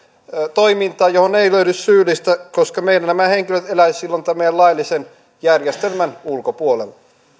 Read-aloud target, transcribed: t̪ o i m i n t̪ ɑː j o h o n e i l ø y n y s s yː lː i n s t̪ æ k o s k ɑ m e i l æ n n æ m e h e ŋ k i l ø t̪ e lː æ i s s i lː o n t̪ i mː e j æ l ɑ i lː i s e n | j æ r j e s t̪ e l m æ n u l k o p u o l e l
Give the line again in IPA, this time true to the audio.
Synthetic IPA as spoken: t̪ o i m i n t̪ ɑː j o h o n e i l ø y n y s s yː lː i s t̪ æ k o s k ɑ m e i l æ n n æ m æ h e ŋ k i l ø t̪ e l æ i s s i lː o n t̪ æ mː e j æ l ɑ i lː i s e n | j æ r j e s t̪ e l m æ n u l k o p u o l e l